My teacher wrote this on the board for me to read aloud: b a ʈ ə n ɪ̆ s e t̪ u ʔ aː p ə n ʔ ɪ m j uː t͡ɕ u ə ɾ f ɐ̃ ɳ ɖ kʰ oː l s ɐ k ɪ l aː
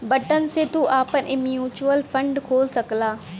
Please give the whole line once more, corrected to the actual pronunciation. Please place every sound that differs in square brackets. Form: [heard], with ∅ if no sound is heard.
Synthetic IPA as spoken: b [ɐ] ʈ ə n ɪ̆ s e t̪ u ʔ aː p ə n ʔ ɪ m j uː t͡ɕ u ə [l] f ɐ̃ ɳ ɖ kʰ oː l s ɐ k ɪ l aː

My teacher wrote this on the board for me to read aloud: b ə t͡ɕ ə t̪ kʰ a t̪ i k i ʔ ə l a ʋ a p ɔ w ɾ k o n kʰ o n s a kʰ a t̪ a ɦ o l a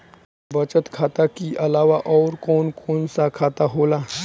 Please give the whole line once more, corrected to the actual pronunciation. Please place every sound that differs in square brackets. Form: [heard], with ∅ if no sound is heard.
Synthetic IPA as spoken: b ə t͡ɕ ə t̪ kʰ a t̪ [a] k i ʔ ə l a ʋ a [ʔ] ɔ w ɾ k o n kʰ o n s a kʰ a t̪ a ɦ o l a

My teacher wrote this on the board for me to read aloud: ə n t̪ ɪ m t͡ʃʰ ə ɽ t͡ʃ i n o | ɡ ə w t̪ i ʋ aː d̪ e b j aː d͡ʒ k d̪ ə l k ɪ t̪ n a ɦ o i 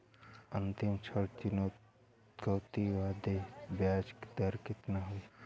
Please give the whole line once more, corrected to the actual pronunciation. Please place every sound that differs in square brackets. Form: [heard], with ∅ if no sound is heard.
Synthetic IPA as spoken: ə n t̪ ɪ m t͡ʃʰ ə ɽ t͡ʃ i n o | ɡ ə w t̪ i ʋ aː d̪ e b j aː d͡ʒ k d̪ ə [ɾ] k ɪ t̪ n a ɦ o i

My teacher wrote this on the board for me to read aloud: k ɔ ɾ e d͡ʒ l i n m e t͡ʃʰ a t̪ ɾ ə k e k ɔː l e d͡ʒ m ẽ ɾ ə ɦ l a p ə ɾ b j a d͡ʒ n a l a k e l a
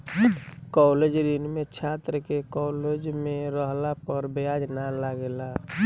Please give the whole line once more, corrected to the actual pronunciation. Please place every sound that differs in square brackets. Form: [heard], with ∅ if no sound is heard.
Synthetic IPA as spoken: k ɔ [l] e d͡ʒ [ɾ] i n m e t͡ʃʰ a t̪ ɾ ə k e k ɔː l e d͡ʒ m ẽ ɾ ə ɦ l a p ə ɾ b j a d͡ʒ n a l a [ɡ] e l a

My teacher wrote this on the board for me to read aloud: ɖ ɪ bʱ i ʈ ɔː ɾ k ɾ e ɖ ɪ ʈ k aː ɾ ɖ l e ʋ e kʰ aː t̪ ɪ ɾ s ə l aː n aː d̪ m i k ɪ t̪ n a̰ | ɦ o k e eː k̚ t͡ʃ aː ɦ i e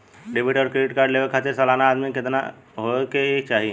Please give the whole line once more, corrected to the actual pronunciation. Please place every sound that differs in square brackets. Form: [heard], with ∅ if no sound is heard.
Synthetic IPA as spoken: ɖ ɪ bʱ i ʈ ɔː ɾ k ɾ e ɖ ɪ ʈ k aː ɾ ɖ l e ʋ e kʰ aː t̪ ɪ ɾ s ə l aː n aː d̪ m i k ɪ t̪ n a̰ | ɦ o k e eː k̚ t͡ʃ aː ɦ i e

